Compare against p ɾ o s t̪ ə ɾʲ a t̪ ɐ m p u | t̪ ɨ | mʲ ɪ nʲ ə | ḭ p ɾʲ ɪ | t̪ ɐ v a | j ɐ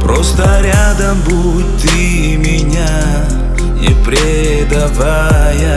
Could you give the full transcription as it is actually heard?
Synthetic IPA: p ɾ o s t̪ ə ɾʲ a d̪ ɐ m b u | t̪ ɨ | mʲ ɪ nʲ a | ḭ p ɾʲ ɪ | d̪ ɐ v a | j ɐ